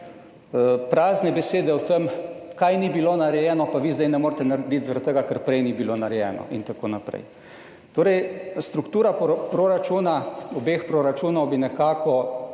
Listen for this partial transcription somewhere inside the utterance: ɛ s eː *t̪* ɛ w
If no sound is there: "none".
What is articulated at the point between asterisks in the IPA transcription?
d̪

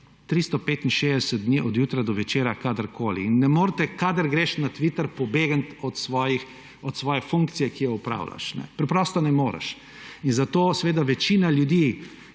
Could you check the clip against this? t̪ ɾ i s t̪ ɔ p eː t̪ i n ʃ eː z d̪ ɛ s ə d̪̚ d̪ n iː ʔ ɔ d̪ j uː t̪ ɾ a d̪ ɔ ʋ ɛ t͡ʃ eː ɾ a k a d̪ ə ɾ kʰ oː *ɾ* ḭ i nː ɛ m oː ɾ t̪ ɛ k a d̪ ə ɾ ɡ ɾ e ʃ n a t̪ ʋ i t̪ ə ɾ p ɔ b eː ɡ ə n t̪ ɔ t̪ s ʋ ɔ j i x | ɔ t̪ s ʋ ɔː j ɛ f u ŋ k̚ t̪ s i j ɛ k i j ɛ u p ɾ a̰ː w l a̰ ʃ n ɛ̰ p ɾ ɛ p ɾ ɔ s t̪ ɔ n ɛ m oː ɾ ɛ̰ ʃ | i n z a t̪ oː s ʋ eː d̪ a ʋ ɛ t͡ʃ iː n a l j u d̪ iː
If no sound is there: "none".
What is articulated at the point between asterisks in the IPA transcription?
l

